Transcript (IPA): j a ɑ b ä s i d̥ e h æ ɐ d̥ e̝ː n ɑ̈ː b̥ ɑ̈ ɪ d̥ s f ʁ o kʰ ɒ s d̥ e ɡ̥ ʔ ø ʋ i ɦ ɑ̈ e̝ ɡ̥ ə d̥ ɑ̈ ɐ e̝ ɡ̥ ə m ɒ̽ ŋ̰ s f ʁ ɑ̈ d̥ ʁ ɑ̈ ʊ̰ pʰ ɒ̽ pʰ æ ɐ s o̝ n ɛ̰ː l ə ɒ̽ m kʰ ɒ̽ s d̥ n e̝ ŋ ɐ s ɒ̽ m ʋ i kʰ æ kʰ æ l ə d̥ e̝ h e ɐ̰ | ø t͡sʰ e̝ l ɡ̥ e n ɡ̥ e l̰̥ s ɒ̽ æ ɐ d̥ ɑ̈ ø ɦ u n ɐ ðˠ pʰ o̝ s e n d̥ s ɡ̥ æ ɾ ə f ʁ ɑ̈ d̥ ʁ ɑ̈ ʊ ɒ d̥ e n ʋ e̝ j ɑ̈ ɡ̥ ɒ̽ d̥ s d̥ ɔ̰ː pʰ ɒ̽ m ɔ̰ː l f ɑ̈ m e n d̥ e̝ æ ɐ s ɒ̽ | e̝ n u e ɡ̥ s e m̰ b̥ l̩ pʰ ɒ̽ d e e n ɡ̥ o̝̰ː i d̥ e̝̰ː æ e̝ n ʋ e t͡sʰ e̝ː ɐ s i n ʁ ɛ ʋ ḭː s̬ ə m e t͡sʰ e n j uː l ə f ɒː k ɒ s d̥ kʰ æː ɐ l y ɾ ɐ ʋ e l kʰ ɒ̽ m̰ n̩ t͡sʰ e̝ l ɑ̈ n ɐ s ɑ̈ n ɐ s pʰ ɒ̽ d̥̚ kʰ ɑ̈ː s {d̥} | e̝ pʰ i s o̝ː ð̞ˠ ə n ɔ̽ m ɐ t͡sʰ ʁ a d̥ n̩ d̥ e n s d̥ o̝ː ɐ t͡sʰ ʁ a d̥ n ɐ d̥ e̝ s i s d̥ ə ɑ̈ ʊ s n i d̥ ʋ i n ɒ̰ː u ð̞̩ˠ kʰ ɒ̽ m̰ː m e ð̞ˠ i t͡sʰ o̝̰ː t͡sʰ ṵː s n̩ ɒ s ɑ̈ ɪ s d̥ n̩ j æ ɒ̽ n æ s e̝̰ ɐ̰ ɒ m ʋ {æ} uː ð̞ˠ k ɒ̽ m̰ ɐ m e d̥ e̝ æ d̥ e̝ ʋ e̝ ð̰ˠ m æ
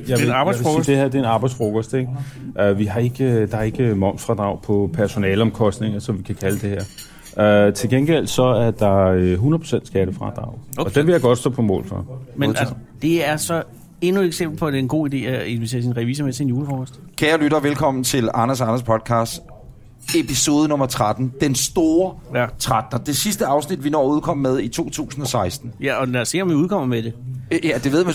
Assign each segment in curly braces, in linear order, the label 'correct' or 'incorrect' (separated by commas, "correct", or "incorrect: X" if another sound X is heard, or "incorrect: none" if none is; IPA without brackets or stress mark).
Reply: correct, incorrect: i